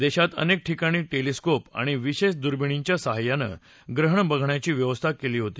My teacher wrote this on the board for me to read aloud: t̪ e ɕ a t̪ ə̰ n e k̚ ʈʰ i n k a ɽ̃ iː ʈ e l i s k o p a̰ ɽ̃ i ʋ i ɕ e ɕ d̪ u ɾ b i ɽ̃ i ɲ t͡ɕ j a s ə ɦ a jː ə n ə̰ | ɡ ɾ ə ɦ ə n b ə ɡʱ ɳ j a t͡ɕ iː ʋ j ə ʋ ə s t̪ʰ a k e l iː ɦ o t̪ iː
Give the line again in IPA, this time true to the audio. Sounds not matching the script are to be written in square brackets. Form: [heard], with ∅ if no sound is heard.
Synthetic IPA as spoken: [d̪] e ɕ a t̪ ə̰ n e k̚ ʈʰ i [∅] k a ɽ̃ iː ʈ e l i s k o p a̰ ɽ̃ i ʋ i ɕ e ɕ d̪ u ɾ b i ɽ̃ i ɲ t͡ɕ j a s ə ɦ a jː [a] n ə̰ | ɡ ɾ ə ɦ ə [ɳ] b ə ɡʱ ɳ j a t͡ɕ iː ʋ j ə ʋ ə s t̪ʰ a k e l iː ɦ o t̪ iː